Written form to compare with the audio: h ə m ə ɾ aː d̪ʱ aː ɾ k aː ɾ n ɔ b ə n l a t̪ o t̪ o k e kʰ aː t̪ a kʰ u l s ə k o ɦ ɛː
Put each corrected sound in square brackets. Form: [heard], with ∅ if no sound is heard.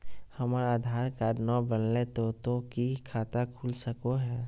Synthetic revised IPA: h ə m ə ɾ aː d̪ʱ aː ɾ k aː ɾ n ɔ b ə n l [e] t̪ o t̪ o k [i] kʰ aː t̪ a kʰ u l s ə k o ɦ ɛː